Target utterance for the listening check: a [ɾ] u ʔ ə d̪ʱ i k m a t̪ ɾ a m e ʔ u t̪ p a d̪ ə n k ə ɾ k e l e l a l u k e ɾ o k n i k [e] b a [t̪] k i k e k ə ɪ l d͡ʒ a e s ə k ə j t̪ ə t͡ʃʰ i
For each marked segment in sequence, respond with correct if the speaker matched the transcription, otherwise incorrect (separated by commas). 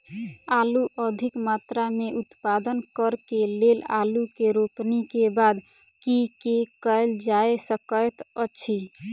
incorrect, correct, incorrect